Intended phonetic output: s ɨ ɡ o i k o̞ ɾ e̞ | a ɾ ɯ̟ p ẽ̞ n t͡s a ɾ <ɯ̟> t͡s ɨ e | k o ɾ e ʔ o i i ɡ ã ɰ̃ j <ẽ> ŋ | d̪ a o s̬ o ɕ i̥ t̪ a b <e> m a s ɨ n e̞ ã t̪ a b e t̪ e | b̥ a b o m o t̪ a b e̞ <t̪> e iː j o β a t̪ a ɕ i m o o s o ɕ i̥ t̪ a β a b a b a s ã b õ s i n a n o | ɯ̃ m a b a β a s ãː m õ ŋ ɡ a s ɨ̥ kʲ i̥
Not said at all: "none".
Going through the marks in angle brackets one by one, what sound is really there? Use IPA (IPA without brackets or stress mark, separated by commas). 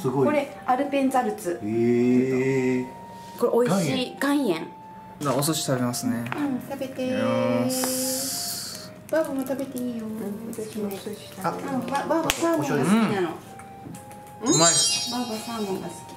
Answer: ɯ̟, ẽ, e, t̪